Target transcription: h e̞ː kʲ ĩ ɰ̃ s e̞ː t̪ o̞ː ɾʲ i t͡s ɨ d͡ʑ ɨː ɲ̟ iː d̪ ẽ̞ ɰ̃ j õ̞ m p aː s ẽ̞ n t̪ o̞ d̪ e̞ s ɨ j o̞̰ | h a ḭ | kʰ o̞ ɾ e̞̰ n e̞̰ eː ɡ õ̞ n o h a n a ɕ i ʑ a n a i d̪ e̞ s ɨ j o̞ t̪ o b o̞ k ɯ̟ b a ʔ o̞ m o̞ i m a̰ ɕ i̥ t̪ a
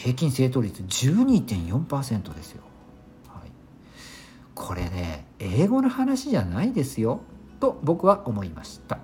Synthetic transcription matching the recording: h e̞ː kʲ ĩ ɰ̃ s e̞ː t̪ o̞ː ɾʲ i t͡s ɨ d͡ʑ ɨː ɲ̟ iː t̪ ẽ̞ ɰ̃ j õ̞ m p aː s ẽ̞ n t̪ o̞ d̪ e̞ s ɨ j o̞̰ | h a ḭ | kʰ o̞ ɾ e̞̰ n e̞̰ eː ɡ o̞ n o h a n a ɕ i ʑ a n a i d̪ e̞ s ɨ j o̞ t̪ o b o̞ k ɯ̟ β a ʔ o̞ m o̞ i m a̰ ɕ i̥ t̪ a